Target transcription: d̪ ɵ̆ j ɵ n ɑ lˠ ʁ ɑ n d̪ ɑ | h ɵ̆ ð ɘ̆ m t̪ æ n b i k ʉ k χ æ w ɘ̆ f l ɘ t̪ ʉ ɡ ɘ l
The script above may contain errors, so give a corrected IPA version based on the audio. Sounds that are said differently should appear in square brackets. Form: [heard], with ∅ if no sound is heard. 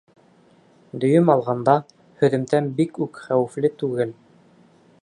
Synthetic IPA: d̪ ɵ̆ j ɵ [m] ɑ lˠ ʁ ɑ n d̪ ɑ | h ɵ̆ ð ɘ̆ m t̪ æ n b i k ʉ k χ æ w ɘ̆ f l ɘ t̪ ʉ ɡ ɘ l